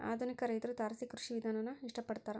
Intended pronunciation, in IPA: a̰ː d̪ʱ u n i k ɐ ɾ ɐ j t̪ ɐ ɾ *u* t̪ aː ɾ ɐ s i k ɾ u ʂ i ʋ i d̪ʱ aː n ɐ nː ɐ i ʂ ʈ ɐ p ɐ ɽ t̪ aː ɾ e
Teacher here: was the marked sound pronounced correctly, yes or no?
yes